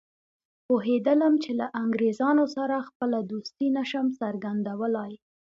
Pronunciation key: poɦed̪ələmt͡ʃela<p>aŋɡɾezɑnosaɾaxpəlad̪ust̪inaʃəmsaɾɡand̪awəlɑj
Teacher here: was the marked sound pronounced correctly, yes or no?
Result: no